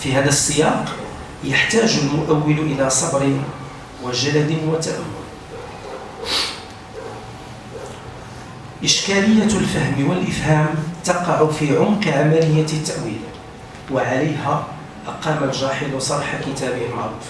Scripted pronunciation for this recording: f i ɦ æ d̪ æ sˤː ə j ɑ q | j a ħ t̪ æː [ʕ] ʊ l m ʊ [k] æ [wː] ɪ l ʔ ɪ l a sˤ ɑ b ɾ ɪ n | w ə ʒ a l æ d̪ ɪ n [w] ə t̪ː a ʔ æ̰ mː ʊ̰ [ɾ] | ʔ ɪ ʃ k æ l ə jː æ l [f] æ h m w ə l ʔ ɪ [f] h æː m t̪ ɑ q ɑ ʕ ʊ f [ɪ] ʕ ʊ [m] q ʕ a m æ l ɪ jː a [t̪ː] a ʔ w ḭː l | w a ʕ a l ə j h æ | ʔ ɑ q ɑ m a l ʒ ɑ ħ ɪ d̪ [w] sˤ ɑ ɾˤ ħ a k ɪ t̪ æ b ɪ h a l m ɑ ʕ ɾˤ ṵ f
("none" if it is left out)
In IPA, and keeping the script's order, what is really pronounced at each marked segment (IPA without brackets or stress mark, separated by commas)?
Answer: ʒ, ʔ, wː, w, l, f, f, i, m, t̪ː, w